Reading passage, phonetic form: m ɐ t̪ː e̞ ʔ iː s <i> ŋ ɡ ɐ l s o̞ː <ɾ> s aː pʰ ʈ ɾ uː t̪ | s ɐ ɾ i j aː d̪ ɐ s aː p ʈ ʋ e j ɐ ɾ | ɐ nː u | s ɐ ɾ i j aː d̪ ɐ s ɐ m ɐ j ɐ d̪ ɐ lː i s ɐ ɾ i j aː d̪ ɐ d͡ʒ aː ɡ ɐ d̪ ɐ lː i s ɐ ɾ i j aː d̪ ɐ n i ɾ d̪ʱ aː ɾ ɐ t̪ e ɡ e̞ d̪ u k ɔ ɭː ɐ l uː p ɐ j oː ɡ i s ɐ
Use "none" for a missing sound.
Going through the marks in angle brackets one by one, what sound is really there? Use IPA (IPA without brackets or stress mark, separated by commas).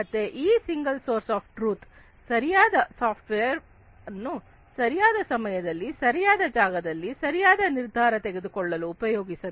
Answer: i, ɾ